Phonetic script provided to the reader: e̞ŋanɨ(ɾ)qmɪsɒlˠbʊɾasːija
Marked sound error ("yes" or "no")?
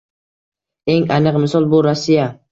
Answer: yes